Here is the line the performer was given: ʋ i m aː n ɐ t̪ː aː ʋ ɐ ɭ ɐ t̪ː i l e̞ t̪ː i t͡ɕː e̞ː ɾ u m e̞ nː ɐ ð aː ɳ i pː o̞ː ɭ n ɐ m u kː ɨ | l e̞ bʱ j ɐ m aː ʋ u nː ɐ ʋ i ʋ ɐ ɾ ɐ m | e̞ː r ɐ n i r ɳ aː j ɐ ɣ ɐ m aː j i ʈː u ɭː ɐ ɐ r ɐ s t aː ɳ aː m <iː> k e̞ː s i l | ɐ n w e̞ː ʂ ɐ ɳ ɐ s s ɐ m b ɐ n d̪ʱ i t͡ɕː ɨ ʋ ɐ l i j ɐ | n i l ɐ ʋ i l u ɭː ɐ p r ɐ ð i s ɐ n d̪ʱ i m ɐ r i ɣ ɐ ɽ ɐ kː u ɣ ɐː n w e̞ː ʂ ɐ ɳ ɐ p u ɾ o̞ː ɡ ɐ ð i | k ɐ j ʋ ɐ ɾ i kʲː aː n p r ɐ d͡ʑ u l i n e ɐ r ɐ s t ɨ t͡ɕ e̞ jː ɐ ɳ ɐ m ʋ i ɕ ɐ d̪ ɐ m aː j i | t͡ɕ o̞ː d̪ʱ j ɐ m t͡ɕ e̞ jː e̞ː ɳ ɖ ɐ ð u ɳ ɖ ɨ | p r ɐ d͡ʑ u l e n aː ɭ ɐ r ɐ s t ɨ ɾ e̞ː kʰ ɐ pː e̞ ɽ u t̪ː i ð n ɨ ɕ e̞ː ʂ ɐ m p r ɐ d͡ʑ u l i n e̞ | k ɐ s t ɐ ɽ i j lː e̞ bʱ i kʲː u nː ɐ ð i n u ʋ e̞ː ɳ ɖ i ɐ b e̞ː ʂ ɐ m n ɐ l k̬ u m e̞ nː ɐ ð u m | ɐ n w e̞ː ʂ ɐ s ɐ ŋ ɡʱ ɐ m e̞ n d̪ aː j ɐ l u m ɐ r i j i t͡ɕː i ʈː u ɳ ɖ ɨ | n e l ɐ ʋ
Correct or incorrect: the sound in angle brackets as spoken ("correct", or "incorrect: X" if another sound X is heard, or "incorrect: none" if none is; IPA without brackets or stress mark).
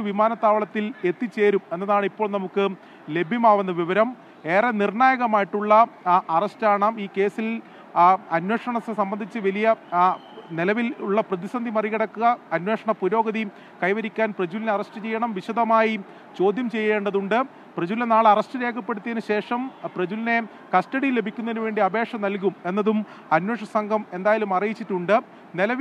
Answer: correct